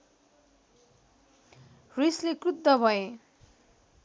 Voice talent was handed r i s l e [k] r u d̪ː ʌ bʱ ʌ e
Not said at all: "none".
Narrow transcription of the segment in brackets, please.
k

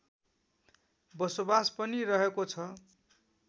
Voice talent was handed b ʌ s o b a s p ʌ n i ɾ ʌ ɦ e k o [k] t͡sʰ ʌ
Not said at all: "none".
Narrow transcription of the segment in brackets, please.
none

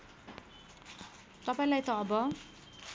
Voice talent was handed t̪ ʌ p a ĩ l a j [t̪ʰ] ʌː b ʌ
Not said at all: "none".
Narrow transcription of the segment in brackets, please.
t̪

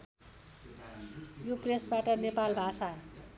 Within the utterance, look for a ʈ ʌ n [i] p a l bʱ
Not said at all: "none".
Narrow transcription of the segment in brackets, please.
e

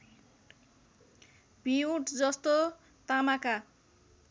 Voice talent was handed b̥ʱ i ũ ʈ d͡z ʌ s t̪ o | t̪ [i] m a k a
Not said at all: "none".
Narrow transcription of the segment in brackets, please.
a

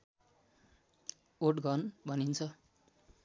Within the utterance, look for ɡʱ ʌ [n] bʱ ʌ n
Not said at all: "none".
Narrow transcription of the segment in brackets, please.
n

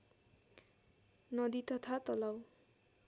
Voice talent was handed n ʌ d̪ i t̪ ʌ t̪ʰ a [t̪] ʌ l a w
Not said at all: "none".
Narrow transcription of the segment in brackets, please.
t̪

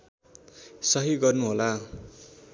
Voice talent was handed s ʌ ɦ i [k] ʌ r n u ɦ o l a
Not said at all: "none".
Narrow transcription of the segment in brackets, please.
ɡ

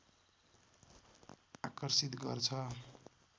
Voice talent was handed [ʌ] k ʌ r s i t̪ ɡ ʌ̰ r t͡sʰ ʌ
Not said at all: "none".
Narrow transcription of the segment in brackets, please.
a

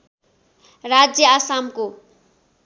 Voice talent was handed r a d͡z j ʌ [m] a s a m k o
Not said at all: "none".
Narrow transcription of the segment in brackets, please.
none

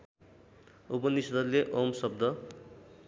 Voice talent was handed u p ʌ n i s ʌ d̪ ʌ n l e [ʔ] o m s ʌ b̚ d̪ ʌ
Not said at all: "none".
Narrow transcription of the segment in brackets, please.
ʔ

